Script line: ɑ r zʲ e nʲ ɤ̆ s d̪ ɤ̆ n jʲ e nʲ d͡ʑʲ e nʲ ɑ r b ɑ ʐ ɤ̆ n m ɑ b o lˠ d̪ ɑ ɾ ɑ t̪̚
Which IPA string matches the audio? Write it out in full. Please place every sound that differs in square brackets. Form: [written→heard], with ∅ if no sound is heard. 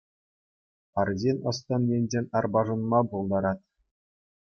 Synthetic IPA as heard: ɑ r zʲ e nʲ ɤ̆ s [d̪→t̪] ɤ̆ n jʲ e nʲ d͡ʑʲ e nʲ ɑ r b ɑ ʐ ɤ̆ n m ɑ b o lˠ d̪ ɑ ɾ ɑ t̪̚